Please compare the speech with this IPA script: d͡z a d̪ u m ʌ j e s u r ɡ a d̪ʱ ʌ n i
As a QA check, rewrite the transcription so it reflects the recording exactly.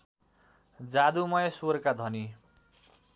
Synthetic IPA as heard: d͡z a d̪ u m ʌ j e s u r k a d̪ʱ ʌ n i